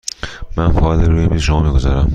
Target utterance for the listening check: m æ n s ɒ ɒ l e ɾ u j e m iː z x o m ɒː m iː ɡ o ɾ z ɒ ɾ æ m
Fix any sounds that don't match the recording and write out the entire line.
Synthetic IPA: m æ n f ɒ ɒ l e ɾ u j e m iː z ʃ o m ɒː m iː ɡ o z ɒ ɾ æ m